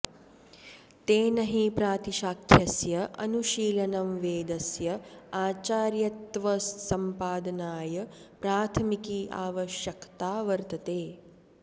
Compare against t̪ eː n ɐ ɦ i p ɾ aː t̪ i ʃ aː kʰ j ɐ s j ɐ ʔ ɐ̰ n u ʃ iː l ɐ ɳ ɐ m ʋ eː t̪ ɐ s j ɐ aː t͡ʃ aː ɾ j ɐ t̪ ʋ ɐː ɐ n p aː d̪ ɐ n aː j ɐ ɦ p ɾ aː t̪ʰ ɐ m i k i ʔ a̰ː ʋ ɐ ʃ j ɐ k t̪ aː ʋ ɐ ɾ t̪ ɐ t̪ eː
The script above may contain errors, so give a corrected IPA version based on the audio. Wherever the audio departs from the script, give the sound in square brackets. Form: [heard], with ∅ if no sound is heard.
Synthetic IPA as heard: t̪ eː n ɐ ɦ i p ɾ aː t̪ i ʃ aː kʰ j ɐ s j ɐ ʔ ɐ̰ n u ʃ iː l ɐ [n] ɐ m ʋ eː [d̪] ɐ s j ɐ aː t͡ʃ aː ɾ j ɐ t̪ ʋ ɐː ɐ [m] p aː d̪ ɐ n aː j ɐ [∅] p ɾ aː t̪ʰ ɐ m i k i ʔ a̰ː ʋ ɐ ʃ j ɐ k t̪ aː ʋ ɐ ɾ t̪ ɐ t̪ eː